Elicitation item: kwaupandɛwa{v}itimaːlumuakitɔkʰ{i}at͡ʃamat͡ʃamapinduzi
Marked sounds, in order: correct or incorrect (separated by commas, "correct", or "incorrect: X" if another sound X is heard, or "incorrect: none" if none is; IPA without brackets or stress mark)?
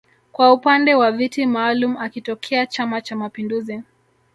correct, incorrect: ɛ